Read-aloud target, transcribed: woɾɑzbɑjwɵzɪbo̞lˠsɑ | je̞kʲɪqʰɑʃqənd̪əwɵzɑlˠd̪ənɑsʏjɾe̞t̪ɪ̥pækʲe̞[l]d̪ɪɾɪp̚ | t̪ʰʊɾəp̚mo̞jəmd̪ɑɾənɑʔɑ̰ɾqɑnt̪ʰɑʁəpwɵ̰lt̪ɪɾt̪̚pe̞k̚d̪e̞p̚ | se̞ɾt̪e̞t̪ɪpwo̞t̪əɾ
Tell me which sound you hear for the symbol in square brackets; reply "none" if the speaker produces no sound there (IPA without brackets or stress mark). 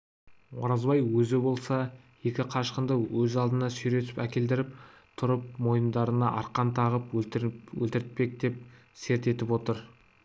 l